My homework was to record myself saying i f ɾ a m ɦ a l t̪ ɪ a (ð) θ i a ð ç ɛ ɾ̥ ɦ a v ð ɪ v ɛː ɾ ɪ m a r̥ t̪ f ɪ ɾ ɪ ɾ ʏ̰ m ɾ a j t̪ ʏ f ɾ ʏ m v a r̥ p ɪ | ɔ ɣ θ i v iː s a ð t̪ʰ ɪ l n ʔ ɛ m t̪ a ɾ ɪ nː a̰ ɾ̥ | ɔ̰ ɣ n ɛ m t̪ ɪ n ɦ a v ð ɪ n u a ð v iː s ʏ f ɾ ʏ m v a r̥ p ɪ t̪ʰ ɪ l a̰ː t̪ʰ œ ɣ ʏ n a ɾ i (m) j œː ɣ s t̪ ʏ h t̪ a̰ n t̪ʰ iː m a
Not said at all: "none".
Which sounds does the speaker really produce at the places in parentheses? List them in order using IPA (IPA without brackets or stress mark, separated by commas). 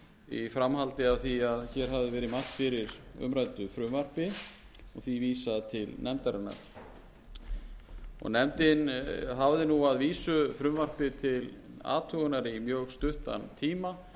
v, m